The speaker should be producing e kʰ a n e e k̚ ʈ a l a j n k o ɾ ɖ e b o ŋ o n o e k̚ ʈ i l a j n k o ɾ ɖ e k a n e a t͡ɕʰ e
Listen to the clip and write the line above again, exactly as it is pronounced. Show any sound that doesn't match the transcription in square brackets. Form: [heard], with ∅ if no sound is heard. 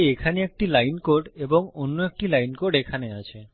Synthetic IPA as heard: e kʰ a n e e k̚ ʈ [i] l a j n k o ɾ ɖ e b o ŋ o [nː] o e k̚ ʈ i l a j n k o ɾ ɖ e [kʰ] a n e a t͡ɕʰ e

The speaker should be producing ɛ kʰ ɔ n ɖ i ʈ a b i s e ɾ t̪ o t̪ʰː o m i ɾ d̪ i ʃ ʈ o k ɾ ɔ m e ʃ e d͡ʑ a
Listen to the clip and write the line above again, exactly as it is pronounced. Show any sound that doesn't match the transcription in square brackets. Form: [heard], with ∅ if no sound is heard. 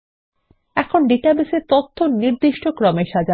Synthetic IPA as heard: ɛ kʰ [o] n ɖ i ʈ a b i s e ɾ t̪ o t̪ʰː o [n] i ɾ d̪ i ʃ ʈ o k ɾ ɔ m e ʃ [a] d͡ʑ a

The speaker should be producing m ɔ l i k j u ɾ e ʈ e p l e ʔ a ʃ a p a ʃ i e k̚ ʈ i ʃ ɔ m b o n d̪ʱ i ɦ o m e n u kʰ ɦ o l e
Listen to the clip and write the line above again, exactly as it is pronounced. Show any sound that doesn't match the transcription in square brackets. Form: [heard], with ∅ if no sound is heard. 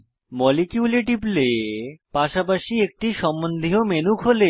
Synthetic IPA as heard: m ɔ l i k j u [l] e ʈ [i] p l e [p] a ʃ a p a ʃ i e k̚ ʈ i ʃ ɔ m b o n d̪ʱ i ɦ o m e n u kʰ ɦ o l e

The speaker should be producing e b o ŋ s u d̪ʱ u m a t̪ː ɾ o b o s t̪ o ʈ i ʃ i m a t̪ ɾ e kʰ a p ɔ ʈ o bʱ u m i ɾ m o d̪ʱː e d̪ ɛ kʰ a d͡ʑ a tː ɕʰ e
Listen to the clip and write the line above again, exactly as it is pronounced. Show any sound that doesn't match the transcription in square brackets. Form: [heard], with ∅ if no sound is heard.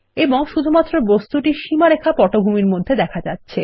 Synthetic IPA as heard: e b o ŋ [ʃ] u d̪ʱ u m a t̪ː ɾ o b o s t̪ [u] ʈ i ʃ i m a [∅] ɾ e kʰ a p ɔ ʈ o bʱ u m i ɾ m o d̪ʱː e d̪ ɛ kʰ a d͡ʑ a tː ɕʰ e

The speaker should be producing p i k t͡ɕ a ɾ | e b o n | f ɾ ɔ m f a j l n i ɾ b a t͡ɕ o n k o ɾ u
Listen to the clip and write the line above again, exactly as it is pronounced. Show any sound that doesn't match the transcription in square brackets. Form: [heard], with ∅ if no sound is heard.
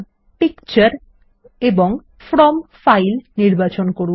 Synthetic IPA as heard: p i k t͡ɕ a ɾ | e b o [ŋ] | f ɾ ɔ m f a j l n i ɾ b a t͡ɕ o n k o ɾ u

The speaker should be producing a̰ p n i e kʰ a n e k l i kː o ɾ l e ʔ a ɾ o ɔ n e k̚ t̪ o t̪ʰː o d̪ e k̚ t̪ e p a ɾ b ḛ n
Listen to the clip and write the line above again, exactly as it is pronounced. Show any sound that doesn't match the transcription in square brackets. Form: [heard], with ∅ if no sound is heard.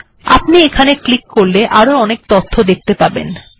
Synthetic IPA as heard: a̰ p n i e kʰ a n e k l i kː o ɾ l e ʔ a ɾ o ɔ n e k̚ t̪ o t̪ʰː o d̪ e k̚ t̪ e p a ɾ b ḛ n

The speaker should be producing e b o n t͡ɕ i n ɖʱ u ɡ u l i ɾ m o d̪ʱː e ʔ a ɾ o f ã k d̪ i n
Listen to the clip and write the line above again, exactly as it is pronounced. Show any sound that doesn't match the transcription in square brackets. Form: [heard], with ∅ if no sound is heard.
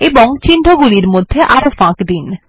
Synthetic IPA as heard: e b o [ŋ] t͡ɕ i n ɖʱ [o] ɡ u l i ɾ m o d̪ʱː e ʔ a ɾ o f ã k d̪ i n

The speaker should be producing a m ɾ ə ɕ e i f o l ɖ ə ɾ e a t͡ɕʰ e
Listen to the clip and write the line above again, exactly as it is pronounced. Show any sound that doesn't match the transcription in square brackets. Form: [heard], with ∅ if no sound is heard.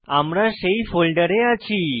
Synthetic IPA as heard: a m ɾ [a] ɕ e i f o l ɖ ə ɾ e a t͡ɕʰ [i]

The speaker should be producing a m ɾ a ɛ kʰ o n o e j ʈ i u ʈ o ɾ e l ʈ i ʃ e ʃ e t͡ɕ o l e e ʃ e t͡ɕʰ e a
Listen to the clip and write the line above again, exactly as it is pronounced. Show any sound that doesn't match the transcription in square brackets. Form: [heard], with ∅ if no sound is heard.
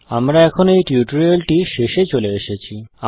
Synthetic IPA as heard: a m ɾ a ɛ kʰ o n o e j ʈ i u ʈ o ɾ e l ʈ i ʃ e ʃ e t͡ɕ o l e e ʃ e t͡ɕʰ [i] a

